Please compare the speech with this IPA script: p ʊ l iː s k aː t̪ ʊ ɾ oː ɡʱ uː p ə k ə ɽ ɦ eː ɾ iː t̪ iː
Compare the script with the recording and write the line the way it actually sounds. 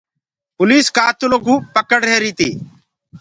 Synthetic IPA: p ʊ l iː s k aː t̪ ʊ l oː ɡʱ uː p ə k ə ɽ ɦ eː ɾ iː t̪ iː